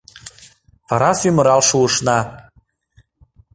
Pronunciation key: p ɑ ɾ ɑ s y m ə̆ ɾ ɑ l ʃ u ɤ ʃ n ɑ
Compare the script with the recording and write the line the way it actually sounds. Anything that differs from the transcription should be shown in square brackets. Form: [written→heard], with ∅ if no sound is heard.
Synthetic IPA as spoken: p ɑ ɾ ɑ s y m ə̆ ɾ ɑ l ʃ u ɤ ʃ n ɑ